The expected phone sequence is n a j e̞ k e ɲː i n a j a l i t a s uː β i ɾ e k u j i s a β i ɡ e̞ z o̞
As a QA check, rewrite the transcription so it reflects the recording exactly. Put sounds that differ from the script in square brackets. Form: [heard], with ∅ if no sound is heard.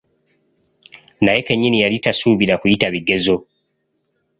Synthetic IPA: n a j e̞ k e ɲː i n [i] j a l i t a s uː β i ɾ [a] k u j i [t] a β i ɡ e̞ z o̞